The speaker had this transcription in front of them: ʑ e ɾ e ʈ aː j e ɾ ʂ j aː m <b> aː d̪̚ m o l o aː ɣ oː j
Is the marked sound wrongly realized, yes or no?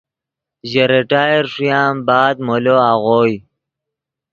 no